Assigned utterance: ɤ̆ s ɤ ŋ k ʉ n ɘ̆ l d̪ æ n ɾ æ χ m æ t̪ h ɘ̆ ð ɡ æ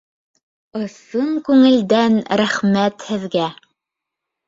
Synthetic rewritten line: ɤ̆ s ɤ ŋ k ʉ ŋ ɘ̆ l d̪ æ n ɾ æ χ m æ t̪ h ɘ̆ ð ɡ æ